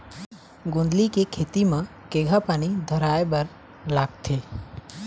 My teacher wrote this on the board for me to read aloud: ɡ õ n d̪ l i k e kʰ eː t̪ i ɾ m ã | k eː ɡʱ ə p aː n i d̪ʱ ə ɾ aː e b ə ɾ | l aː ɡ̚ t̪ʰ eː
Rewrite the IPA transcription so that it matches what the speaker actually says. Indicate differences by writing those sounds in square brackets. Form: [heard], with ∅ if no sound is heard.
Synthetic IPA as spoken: ɡ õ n d̪ l i k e kʰ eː t̪ i [∅] m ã | k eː ɡʱ [a] p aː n i d̪ʱ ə ɾ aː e b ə ɾ | l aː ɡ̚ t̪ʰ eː